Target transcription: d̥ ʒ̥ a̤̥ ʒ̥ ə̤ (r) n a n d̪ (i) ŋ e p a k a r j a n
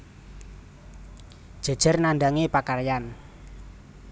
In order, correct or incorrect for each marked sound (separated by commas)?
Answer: correct, incorrect